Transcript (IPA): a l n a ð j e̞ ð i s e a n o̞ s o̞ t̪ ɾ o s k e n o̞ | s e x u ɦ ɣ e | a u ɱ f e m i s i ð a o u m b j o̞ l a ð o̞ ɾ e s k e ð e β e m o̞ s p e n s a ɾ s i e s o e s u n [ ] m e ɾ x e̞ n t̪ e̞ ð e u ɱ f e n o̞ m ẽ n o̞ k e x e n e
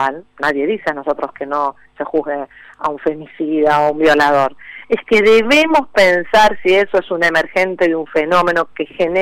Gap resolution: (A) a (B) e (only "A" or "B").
B